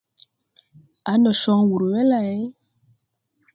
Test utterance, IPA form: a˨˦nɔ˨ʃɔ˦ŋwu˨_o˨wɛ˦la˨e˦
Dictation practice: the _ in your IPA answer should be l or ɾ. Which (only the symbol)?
ɾ